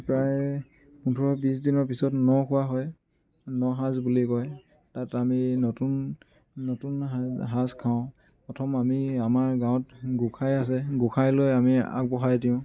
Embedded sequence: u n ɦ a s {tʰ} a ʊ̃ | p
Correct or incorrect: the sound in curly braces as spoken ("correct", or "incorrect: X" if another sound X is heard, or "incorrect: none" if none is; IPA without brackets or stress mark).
incorrect: kʰ